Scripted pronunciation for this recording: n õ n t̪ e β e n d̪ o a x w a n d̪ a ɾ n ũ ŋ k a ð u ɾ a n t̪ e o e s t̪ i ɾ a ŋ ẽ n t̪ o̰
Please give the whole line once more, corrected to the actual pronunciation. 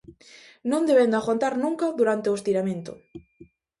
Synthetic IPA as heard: n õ n d̪ e β e n d̪ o a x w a n t̪ a ɾ n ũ ŋ k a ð u ɾ a n t̪ e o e s t̪ i ɾ a m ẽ n t̪ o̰